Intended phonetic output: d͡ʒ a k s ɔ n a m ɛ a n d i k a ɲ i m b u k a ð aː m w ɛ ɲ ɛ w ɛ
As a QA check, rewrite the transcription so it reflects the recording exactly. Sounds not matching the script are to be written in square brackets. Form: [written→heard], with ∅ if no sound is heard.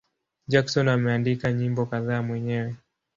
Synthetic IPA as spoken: d͡ʒ a k s ɔ n a m ɛ a n d i k a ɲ i m b [u→ɔ] k a ð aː m w ɛ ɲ ɛ w ɛ